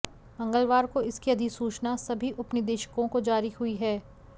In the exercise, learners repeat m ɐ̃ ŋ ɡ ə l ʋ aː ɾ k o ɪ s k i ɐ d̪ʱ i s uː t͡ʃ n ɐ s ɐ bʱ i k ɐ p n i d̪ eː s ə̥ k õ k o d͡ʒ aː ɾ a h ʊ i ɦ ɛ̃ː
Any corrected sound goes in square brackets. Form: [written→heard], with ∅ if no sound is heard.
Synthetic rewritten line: m ɐ̃ ŋ ɡ ə l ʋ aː ɾ k o ɪ s k i ɐ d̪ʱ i s uː t͡ʃ n [ɐ→a] s ɐ bʱ i [k→ʔ] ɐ p n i d̪ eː [s→ʃ] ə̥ k õ k o d͡ʒ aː ɾ [a→i] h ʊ i ɦ [ɛ̃ː→ɛː]